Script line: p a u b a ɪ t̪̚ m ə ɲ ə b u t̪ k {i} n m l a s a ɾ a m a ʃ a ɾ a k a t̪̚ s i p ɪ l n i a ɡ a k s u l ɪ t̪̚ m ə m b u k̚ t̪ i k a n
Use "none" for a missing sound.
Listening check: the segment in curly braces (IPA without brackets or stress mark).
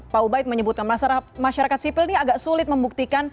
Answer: a